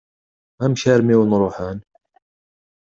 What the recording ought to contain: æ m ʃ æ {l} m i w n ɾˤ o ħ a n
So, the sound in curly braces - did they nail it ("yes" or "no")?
no